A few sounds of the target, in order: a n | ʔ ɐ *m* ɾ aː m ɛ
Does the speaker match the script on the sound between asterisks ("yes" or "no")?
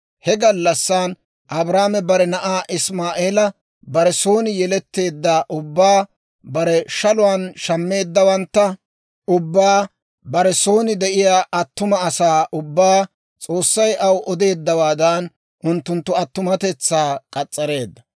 no